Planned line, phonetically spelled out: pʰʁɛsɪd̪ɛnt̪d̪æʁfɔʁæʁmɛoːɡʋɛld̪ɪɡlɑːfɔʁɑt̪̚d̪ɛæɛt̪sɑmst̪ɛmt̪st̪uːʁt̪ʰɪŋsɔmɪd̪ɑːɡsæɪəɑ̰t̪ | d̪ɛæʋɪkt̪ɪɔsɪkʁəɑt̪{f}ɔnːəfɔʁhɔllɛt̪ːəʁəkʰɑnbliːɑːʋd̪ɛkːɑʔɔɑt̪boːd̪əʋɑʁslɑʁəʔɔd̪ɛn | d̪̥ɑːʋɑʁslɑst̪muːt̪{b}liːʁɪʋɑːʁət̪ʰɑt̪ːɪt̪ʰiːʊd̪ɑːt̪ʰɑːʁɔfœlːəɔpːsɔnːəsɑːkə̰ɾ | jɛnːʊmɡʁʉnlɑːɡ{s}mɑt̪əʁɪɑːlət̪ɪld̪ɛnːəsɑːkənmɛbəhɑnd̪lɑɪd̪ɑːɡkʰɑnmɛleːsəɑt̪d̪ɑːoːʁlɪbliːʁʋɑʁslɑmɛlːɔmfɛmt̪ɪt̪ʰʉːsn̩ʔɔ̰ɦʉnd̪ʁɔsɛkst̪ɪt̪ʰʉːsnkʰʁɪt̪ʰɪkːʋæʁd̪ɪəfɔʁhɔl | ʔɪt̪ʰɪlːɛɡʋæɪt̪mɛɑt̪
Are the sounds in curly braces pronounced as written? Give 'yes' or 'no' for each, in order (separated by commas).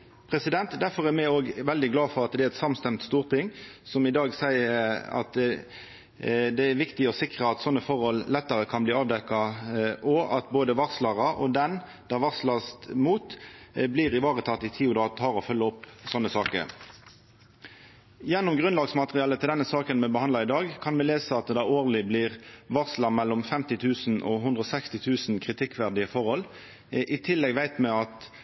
no, yes, yes